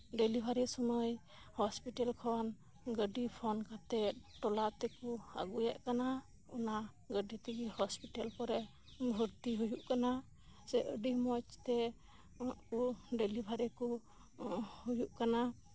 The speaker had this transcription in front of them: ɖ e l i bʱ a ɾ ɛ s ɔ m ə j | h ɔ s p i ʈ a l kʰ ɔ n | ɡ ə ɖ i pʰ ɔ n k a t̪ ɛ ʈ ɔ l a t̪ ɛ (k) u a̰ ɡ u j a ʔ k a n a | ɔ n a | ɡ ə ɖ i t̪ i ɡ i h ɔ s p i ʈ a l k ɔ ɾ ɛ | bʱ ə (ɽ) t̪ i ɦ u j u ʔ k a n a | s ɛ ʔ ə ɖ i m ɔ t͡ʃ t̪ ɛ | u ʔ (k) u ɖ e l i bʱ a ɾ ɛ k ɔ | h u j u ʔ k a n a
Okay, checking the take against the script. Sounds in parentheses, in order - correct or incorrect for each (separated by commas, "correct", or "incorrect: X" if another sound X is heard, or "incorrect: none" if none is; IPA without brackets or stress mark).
correct, incorrect: ɾ, correct